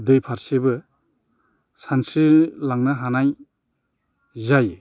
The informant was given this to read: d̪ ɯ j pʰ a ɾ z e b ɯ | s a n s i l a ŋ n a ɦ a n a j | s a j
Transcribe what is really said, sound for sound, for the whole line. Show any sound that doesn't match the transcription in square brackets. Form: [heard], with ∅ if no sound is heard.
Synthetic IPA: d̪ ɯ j pʰ a ɾ [s] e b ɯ | s a n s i l a ŋ n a ɦ a n a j | [z] a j